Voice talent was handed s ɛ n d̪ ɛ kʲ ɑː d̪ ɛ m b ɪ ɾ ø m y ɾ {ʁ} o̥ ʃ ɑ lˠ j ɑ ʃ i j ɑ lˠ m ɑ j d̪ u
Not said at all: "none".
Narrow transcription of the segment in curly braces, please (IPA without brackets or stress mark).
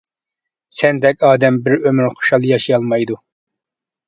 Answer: χ